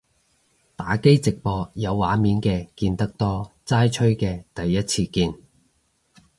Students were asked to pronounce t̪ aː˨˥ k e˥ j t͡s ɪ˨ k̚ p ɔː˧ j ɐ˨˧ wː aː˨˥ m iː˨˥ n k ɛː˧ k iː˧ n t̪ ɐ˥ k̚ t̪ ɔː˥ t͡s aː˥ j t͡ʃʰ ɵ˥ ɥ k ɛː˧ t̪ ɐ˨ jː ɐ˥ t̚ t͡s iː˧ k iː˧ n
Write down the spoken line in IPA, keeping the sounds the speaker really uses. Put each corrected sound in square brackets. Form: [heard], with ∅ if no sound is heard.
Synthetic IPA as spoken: t̪ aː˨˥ k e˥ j t͡s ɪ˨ k̚ p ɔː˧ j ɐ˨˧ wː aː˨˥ m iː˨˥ n k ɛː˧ k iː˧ n t̪ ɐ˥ k̚ t̪ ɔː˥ t͡s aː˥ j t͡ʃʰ ɵ˥ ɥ k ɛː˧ t̪ ɐ˨ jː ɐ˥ t̚ [t͡sʰ] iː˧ k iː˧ n